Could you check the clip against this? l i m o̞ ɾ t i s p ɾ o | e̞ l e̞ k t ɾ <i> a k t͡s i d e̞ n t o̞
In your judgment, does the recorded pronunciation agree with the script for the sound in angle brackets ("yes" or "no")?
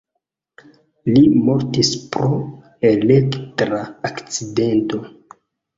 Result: no